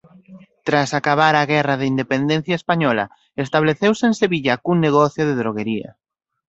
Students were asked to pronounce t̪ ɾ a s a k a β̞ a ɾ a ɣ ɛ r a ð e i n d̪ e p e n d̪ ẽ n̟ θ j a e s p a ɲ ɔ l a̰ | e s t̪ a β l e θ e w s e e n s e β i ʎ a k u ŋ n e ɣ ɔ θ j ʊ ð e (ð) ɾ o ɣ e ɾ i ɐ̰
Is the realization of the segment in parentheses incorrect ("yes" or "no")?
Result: no